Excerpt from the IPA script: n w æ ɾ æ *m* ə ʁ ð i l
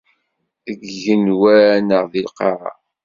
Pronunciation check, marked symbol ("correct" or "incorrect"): incorrect